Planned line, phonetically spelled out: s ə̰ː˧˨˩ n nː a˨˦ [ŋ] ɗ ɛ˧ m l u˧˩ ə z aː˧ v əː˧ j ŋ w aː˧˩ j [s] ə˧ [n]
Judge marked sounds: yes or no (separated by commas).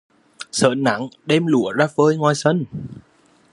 yes, yes, yes